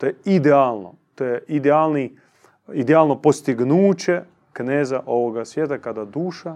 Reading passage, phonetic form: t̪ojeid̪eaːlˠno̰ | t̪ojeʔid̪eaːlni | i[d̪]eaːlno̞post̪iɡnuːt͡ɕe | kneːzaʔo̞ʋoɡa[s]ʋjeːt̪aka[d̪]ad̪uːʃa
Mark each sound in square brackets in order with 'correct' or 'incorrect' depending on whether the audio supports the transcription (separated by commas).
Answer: correct, correct, correct